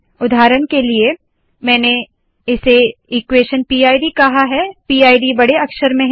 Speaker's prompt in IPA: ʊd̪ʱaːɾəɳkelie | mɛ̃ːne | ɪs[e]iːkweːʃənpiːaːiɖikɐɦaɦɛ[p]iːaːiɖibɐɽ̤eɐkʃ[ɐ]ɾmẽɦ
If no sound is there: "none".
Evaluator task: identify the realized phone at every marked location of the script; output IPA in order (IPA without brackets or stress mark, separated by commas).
e, p, ə